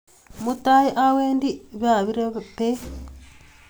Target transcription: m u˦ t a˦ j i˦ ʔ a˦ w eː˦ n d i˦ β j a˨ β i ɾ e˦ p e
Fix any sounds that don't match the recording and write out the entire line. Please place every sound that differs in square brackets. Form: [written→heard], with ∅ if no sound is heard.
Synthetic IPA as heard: m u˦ t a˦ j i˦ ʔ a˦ w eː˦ n d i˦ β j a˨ β i ɾ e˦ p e